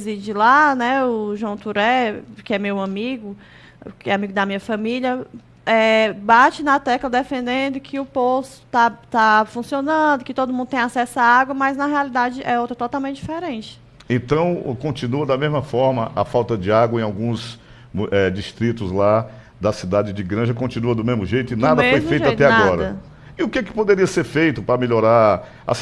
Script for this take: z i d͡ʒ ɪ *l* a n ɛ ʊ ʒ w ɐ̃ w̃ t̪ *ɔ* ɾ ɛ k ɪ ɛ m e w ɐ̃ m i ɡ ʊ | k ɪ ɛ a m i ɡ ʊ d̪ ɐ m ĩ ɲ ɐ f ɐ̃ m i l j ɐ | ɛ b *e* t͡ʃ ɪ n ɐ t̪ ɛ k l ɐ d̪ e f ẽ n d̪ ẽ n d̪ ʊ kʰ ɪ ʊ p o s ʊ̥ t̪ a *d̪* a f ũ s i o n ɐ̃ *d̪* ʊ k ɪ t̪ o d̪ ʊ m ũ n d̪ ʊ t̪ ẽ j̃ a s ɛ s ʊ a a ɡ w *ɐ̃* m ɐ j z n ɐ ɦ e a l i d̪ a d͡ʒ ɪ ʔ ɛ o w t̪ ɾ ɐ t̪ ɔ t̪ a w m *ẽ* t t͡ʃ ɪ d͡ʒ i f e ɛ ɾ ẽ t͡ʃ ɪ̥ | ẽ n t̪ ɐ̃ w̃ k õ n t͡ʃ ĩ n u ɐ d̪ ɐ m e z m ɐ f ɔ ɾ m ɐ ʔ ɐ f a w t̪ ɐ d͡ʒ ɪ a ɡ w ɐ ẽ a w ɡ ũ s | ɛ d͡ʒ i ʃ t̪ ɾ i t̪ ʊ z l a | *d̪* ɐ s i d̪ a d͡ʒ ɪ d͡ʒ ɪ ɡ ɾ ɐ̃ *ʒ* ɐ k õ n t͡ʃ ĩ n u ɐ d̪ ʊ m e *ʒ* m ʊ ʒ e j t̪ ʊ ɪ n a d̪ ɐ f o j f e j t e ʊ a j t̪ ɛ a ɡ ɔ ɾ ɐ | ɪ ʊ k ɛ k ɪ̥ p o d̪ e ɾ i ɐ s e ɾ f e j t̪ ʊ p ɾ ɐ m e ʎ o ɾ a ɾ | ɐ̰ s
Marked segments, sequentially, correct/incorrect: correct, incorrect, incorrect, incorrect, correct, incorrect, correct, correct, correct, incorrect

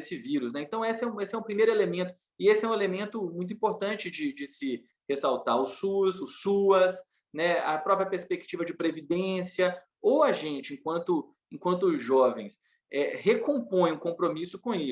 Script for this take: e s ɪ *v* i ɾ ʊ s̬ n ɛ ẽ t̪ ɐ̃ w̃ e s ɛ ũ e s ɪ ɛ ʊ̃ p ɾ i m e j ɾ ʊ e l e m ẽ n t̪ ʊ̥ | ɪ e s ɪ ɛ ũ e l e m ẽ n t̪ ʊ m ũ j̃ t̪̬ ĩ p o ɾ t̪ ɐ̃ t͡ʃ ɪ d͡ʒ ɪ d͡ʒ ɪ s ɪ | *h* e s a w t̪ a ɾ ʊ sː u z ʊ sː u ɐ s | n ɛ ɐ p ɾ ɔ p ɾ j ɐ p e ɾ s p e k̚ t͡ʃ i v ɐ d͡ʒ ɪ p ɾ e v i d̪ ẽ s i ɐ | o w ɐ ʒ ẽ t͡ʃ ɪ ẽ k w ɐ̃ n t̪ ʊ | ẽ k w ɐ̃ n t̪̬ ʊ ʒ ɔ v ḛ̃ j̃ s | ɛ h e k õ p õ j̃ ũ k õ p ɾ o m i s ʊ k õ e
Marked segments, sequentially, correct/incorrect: correct, correct

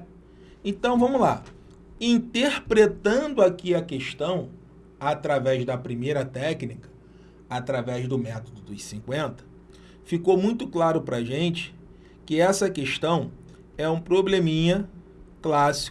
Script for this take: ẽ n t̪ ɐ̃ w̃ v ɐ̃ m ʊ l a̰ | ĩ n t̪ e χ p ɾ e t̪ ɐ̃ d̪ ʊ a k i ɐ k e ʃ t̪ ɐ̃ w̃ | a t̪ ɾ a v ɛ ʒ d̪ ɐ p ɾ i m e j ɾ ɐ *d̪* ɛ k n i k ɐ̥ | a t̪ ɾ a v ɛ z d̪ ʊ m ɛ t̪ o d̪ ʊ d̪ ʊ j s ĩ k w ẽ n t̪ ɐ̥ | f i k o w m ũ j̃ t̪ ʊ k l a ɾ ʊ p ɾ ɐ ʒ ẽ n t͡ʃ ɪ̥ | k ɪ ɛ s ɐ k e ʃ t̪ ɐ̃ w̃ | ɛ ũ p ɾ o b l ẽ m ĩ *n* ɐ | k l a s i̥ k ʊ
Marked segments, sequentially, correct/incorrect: incorrect, incorrect

